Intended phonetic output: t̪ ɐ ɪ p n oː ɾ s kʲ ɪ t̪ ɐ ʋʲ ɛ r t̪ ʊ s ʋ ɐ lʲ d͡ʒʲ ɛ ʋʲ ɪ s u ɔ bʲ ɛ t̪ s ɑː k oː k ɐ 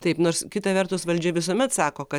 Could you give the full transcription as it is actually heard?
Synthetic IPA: t̪ ɐ ɪ p n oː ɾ s kʲ ɪ t̪ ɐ ʋʲ ɛ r t̪ ʊ s ʋ ɐ lʲ d͡ʒʲ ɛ ʋʲ ɪ s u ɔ mʲ ɛ t̪ s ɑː k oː k ɐ